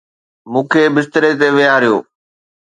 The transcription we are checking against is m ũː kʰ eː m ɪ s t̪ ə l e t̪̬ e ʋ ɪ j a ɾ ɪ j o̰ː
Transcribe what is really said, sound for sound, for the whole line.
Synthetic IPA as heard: m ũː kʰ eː b ɪ s t̪ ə ɾ e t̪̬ e ʋ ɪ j a ɾ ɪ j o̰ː